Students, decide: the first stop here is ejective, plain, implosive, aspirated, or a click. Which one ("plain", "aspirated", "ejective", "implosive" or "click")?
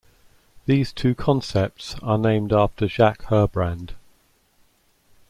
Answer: aspirated